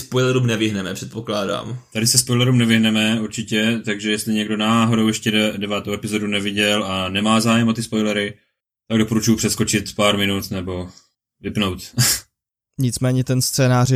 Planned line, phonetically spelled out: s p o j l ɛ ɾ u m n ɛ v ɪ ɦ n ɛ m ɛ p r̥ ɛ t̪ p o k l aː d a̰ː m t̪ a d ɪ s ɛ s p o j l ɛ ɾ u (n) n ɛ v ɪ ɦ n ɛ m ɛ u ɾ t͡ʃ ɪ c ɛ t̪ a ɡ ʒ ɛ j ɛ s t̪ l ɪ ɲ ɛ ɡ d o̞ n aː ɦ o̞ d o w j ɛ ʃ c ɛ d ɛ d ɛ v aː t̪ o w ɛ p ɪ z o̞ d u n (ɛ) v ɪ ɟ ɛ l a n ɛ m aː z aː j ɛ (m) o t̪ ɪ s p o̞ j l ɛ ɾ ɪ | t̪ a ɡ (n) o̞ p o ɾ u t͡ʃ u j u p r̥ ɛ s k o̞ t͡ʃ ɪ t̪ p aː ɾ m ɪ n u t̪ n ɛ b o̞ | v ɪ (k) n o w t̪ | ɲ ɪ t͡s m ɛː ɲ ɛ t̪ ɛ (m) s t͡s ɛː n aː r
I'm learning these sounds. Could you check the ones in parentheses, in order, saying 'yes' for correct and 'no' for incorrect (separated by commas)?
no, yes, yes, no, no, no